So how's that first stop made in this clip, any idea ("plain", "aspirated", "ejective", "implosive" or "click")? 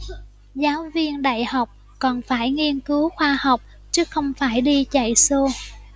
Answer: implosive